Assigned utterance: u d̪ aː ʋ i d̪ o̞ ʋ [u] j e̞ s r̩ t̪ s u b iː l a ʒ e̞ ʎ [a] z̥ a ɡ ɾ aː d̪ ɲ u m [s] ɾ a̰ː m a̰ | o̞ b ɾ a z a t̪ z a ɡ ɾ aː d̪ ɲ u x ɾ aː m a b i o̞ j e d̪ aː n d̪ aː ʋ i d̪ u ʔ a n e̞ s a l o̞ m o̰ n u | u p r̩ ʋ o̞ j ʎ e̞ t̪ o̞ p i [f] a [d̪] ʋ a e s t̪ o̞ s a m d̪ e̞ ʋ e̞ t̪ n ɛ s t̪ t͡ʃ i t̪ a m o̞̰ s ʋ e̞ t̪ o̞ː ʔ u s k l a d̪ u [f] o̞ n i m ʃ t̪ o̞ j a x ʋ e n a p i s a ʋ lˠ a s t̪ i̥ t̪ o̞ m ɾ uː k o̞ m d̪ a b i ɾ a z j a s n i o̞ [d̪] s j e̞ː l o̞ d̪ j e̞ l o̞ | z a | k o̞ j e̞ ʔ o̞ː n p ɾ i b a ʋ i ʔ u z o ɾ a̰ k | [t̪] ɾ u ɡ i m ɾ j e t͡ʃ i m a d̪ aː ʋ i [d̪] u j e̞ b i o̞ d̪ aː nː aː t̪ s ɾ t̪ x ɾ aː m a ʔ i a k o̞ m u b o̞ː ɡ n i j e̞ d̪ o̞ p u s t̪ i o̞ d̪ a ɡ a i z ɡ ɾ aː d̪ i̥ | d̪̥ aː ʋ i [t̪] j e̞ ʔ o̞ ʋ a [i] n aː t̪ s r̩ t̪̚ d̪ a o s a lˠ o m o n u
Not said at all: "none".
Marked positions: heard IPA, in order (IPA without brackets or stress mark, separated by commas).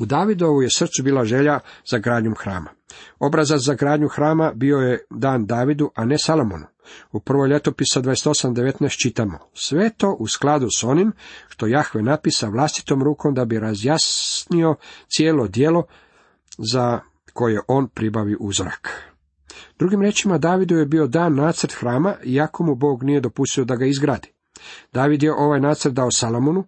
u, a, x, s, d̪, s, t̪, d̪, d̪, d̪, j